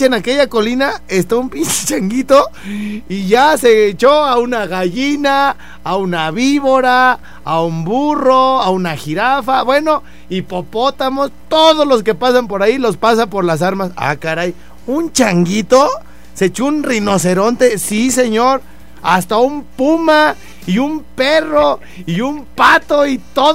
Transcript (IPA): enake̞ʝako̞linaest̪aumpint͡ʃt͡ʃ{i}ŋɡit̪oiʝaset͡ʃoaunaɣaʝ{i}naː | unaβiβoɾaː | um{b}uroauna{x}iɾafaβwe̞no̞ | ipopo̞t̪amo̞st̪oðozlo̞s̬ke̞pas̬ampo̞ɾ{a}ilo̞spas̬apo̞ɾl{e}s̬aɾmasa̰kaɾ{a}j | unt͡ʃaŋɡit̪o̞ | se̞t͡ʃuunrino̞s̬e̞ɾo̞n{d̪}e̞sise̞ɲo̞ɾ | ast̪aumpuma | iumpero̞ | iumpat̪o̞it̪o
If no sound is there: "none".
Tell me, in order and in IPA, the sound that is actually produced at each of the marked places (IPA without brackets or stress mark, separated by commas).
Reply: a, i, b, x, a, a, a, t̪